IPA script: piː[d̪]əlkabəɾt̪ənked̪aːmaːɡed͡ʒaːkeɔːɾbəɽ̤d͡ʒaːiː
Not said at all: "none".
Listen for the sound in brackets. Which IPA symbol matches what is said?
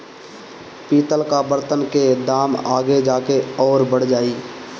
t̪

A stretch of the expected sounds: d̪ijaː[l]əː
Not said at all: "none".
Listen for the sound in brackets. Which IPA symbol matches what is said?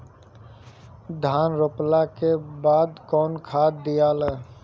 l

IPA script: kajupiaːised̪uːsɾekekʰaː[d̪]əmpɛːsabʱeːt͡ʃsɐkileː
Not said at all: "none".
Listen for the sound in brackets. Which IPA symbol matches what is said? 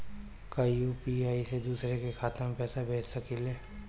t̪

